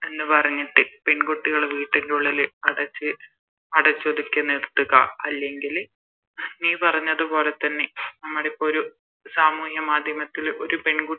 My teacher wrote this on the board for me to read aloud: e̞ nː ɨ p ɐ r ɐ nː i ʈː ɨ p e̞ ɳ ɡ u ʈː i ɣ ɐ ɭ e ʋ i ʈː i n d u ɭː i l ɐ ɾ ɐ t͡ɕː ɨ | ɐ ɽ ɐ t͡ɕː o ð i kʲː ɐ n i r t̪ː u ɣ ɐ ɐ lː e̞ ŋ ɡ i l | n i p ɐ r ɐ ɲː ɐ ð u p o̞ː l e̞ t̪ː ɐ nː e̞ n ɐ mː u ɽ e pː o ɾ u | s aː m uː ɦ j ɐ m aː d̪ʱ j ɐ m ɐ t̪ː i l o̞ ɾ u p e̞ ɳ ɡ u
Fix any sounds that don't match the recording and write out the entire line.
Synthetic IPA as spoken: e̞ nː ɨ p ɐ r ɐ ɲː i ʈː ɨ p e̞ ɳ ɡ u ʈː i ɣ ɐ ɭ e ʋ iː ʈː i n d u ɭː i l ɐ ɽ ɐ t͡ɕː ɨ | ɐ ɽ ɐ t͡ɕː o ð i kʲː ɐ n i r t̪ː u ɣ ɐ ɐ lː e̞ ŋ ɡ i l | n iː p ɐ r ɐ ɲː ɐ ð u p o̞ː l e̞ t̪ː ɐ nː e̞ n ɐ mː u ɽ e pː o ɾ u | s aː m uː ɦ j ɐ m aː d̪ʱ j ɐ m ɐ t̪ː i l o̞ ɾ u p e̞ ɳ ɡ u